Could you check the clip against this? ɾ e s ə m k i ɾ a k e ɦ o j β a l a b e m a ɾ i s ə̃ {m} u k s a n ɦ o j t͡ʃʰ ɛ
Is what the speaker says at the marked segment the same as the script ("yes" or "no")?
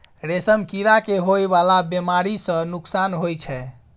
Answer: no